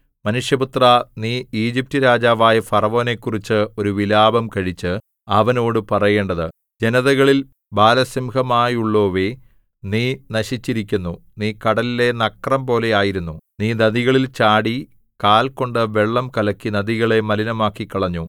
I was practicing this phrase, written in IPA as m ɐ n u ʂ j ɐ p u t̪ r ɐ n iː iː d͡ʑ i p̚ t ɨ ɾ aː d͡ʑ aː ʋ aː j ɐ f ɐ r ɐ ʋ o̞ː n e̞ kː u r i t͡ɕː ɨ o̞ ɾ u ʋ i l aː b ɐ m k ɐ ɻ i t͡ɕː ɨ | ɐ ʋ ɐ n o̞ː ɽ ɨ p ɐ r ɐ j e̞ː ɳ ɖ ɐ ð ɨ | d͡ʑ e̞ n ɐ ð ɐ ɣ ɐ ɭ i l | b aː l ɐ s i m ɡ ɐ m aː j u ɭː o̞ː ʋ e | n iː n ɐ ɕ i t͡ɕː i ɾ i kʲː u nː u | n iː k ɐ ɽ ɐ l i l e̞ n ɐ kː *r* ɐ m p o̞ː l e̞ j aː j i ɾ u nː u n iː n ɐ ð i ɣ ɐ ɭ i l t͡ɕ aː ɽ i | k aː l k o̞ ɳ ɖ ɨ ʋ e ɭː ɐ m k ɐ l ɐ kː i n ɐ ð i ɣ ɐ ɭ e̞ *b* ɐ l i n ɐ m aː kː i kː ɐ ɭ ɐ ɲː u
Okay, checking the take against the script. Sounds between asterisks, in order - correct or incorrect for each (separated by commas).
correct, incorrect